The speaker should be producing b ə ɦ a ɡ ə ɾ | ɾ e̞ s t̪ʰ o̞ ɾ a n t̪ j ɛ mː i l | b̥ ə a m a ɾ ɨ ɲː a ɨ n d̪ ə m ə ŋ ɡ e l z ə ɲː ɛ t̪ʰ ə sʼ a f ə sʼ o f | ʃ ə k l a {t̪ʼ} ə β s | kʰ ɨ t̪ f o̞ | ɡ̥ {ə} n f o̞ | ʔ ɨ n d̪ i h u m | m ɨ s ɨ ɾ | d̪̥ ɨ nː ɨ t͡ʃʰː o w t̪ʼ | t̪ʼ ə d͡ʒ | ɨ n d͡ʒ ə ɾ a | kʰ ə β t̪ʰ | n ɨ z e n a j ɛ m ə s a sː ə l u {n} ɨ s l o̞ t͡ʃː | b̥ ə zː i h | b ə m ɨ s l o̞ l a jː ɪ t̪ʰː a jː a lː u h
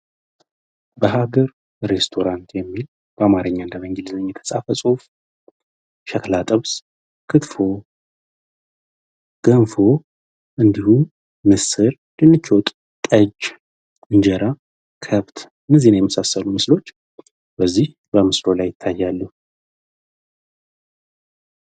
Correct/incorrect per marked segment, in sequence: correct, correct, incorrect

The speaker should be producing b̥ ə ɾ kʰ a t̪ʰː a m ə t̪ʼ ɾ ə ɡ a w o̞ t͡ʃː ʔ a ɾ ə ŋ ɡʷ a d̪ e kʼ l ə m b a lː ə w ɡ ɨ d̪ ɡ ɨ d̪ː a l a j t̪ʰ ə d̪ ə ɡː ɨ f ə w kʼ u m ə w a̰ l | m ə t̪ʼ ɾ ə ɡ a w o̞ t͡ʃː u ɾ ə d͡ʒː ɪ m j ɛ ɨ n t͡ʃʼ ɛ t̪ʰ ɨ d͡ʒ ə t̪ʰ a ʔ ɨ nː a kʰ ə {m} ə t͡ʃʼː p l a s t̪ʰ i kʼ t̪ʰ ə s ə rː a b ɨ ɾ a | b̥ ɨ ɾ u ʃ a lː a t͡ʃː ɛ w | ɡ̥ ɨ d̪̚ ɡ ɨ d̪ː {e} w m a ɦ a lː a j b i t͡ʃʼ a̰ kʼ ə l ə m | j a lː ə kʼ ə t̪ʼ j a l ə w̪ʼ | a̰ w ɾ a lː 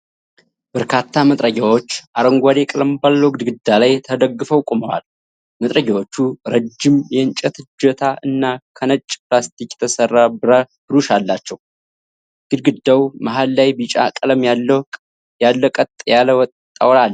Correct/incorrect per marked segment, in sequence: incorrect, incorrect

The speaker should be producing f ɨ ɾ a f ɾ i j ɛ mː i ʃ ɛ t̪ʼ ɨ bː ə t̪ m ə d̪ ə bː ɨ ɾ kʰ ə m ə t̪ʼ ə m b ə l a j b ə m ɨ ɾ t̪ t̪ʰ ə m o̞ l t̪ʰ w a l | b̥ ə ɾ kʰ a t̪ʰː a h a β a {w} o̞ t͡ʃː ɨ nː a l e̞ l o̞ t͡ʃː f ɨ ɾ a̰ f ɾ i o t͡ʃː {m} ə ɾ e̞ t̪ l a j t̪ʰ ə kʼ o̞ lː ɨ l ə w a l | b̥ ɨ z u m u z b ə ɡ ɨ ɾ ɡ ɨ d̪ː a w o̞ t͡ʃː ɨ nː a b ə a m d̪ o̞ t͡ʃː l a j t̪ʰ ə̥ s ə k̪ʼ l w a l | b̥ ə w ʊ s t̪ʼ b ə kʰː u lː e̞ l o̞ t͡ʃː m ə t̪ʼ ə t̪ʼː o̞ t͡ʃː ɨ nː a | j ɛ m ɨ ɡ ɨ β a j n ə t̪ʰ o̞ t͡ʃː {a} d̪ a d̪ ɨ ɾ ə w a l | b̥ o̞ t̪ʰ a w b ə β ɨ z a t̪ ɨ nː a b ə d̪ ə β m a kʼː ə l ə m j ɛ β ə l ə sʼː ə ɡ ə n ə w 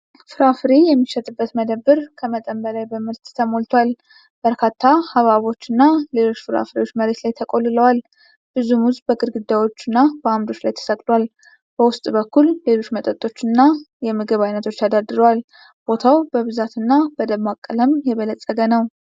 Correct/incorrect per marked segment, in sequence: incorrect, correct, correct

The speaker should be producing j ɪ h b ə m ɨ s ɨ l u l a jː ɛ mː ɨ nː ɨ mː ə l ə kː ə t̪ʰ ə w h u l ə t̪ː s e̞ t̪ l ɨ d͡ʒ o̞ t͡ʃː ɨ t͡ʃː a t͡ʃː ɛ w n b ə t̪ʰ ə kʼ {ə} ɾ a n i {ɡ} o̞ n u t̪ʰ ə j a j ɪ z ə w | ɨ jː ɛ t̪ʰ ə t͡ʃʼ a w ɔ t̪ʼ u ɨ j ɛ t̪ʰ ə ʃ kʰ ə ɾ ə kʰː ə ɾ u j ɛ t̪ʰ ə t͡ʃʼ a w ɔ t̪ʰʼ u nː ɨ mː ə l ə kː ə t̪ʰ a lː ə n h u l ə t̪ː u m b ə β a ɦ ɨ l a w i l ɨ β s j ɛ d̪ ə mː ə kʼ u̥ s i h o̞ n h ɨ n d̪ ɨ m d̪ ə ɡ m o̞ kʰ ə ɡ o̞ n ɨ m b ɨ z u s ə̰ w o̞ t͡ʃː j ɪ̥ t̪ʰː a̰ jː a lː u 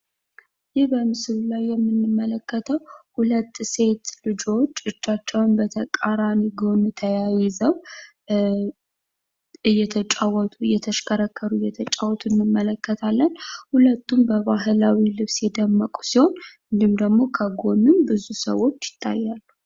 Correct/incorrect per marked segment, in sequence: incorrect, correct

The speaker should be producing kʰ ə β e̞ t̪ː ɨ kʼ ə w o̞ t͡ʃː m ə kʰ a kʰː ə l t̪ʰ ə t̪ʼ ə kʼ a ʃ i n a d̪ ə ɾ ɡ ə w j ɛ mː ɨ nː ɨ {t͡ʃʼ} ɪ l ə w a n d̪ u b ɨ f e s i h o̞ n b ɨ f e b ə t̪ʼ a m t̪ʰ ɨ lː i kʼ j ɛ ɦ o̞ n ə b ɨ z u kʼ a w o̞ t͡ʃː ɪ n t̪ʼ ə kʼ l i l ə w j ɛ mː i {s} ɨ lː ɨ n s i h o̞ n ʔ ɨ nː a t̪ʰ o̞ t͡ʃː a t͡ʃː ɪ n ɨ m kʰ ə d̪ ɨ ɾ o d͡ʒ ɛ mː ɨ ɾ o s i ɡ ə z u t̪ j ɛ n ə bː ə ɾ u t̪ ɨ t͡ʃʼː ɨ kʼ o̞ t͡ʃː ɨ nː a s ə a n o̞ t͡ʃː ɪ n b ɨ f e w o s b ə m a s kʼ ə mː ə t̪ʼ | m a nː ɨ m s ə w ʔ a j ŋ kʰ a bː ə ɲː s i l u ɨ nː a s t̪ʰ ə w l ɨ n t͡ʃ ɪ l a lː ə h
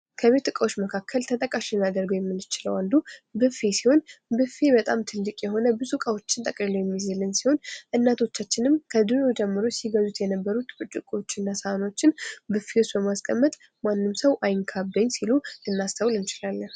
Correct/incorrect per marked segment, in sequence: incorrect, incorrect

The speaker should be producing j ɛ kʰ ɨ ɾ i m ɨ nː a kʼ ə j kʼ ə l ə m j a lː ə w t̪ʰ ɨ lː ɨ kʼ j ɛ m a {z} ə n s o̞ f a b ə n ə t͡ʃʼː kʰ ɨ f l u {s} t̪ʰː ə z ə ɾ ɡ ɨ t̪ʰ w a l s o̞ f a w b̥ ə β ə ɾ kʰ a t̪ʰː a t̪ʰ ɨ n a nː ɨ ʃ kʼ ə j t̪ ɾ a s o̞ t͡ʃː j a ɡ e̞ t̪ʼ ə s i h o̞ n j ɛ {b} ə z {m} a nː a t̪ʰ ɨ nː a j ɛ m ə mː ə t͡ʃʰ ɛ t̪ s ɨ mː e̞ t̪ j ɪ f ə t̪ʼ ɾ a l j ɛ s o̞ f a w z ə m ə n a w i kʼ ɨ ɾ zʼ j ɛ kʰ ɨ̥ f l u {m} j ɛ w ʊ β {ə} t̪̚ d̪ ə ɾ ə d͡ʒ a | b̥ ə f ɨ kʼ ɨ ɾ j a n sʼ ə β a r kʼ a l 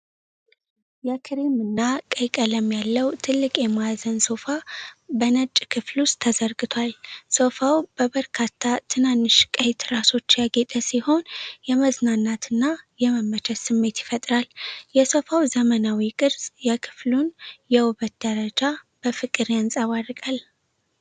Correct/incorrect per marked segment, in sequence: correct, correct, incorrect, incorrect, incorrect, correct

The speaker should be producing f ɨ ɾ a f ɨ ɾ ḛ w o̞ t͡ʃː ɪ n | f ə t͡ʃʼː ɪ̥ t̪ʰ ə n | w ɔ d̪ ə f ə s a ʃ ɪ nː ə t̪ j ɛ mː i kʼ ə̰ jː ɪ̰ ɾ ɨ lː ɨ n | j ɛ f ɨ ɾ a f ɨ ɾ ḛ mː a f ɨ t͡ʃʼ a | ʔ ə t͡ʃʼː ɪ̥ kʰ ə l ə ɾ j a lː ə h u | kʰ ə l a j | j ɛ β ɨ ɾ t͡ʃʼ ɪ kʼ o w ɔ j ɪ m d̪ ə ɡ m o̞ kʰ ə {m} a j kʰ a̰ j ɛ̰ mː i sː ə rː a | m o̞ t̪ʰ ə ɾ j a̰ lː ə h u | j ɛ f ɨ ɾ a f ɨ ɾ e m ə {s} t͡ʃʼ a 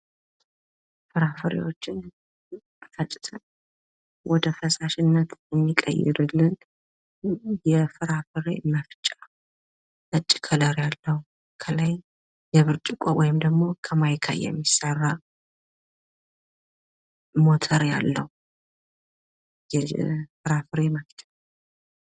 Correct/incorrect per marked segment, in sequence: correct, incorrect

